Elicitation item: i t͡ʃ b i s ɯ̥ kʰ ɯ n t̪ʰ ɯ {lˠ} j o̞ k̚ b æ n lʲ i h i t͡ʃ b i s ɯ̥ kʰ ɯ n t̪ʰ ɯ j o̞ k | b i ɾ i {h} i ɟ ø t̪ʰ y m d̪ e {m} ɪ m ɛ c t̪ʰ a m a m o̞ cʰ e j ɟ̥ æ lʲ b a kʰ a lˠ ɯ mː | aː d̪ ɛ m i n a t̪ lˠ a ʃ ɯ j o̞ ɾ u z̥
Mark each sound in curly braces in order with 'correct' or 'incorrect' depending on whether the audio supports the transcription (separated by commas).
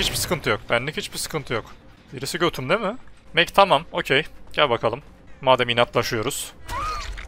incorrect, incorrect, correct